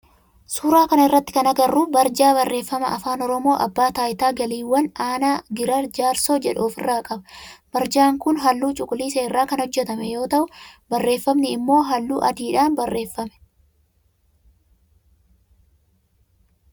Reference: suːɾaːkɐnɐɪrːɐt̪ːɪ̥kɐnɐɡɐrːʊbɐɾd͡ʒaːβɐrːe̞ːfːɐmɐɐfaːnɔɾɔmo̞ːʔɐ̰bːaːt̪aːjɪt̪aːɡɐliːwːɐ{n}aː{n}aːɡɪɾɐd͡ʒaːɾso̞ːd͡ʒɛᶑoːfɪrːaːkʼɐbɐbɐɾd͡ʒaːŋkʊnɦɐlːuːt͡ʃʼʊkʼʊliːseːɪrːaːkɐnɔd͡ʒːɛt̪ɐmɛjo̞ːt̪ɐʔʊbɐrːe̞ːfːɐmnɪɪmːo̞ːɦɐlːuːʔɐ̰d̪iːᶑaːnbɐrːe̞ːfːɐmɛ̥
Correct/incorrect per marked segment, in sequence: correct, correct

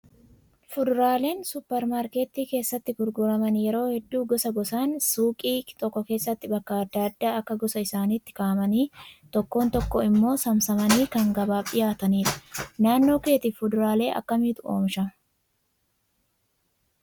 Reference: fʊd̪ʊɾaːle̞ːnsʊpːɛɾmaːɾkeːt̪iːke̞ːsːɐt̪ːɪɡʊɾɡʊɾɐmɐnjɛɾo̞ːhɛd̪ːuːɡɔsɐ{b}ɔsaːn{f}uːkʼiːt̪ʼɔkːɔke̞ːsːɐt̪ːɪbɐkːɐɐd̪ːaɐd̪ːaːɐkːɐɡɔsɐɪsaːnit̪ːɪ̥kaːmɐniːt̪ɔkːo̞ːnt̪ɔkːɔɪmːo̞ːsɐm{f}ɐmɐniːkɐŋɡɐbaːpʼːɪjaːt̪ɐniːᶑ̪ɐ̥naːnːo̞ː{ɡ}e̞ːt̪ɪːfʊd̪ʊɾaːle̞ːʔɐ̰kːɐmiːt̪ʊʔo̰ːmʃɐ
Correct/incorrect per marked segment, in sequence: incorrect: ɡ, incorrect: s, incorrect: s, incorrect: k

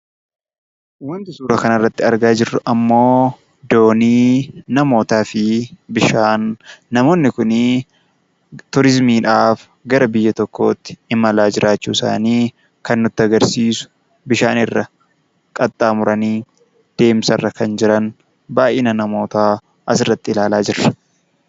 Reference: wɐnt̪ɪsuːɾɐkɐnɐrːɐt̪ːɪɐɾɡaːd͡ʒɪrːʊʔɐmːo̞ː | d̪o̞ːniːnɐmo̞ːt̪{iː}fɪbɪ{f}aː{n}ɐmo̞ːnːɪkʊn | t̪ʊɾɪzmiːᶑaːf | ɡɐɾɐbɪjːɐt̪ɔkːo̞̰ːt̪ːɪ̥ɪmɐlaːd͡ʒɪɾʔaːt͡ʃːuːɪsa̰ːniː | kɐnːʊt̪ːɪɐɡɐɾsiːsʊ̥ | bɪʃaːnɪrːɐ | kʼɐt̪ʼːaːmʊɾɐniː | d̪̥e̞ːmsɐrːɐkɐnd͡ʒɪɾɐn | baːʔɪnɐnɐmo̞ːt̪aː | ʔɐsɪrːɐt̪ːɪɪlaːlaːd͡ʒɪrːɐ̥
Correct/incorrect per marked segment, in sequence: incorrect: aː, incorrect: ʃ, incorrect: nː

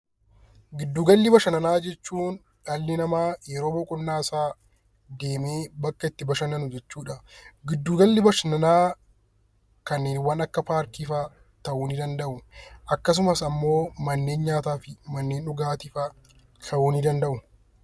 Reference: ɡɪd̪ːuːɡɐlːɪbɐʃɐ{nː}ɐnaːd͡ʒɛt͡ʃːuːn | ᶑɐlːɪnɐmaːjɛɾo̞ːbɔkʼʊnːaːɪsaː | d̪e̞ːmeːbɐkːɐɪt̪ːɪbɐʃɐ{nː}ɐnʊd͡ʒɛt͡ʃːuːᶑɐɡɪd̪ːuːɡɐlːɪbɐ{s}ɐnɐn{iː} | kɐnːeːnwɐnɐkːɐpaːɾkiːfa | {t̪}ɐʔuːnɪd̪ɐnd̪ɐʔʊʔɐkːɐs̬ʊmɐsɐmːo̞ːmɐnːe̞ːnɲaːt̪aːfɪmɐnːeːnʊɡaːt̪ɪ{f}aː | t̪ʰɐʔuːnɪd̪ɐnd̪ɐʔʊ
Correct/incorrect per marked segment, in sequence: incorrect: n, incorrect: n, incorrect: ʃ, incorrect: aː, correct, correct

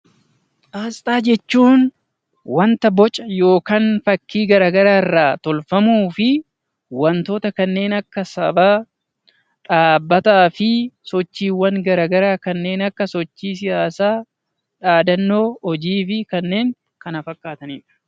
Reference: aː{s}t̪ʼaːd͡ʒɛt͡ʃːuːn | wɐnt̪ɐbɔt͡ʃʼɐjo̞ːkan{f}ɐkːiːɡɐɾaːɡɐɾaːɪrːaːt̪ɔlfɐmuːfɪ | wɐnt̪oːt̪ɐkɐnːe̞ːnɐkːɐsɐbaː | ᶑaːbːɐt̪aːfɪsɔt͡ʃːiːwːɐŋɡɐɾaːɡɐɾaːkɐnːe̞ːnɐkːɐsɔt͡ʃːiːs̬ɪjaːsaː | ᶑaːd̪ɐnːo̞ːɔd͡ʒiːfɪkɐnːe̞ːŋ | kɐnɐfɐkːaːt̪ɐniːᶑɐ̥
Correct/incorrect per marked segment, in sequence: correct, correct

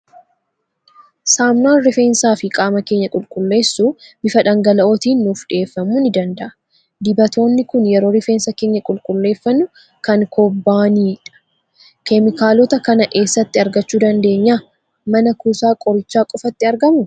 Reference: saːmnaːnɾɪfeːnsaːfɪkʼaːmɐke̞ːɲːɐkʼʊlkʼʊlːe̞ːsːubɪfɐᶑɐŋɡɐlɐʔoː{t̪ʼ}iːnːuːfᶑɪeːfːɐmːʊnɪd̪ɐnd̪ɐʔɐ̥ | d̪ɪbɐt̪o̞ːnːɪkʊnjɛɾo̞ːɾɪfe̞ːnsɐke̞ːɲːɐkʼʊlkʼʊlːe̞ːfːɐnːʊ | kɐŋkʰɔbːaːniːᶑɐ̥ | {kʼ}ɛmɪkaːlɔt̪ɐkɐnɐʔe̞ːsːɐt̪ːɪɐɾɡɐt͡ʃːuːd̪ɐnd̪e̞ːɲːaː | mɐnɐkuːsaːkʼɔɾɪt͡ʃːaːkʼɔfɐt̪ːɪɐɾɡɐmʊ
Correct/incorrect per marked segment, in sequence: incorrect: t̪, incorrect: k

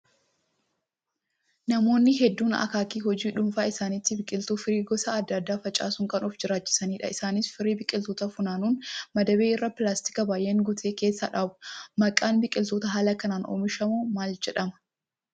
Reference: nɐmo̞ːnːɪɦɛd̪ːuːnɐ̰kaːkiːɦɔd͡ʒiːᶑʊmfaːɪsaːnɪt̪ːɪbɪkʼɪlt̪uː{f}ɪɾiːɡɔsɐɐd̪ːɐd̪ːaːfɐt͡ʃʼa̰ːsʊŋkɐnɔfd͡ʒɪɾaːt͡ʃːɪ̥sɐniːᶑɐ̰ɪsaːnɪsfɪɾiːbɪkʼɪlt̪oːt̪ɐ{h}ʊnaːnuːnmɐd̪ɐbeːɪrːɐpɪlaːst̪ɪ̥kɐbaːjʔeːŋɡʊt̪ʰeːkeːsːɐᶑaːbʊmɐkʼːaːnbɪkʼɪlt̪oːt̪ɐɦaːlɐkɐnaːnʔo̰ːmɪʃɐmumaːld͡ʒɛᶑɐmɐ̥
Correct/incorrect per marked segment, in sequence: correct, incorrect: f

